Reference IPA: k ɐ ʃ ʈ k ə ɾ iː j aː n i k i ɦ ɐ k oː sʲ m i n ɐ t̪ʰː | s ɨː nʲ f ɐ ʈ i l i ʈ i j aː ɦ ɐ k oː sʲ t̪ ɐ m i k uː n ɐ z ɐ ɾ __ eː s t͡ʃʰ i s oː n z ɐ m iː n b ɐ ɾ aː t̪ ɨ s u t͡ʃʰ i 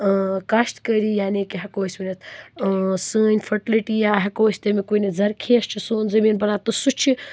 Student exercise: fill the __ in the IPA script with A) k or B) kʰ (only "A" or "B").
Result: B